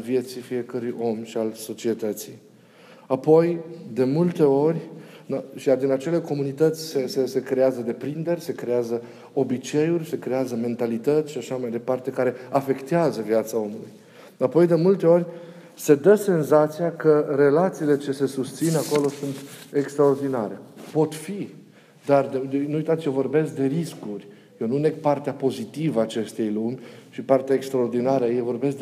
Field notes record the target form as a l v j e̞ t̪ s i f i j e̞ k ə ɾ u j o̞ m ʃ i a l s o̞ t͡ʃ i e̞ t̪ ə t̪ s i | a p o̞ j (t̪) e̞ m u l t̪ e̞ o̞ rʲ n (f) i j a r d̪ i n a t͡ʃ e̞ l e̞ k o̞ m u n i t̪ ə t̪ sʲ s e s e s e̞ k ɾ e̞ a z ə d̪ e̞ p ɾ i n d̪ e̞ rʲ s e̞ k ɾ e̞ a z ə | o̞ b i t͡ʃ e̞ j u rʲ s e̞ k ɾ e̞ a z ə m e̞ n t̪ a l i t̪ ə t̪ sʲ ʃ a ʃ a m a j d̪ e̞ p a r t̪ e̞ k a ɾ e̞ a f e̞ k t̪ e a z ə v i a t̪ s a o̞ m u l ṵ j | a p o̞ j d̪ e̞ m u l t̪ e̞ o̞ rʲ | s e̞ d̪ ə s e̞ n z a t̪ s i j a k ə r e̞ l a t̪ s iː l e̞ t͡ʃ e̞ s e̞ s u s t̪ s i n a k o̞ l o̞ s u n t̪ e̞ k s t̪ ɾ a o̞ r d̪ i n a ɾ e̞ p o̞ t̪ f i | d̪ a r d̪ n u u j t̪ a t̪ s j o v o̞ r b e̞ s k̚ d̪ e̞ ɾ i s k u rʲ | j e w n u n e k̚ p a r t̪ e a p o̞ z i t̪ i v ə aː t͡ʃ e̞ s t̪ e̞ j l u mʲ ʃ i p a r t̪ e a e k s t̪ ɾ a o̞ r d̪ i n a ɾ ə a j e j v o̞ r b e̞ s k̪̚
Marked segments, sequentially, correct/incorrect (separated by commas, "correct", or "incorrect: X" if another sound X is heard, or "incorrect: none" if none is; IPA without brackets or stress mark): incorrect: d̪, incorrect: ʃ